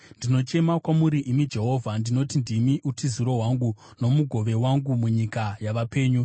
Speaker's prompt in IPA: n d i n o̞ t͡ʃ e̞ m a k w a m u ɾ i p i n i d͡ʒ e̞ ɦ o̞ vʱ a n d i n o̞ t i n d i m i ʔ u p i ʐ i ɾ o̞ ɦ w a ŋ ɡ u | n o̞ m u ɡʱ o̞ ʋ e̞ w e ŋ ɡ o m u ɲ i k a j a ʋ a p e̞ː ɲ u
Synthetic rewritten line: n d i n o̞ t͡ʃ e̞ m a k w a m u ɾ i ʔ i m i d͡ʒ e̞ ɦ o̞ vʱ a n d i n o̞ t i n d i m i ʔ u t i z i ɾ o̞ ɦ w a ŋ ɡ u | n o̞ m u ɡʱ o̞ ʋ e̞ w a ŋ ɡ u m u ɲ i k a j a ʋ a p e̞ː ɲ u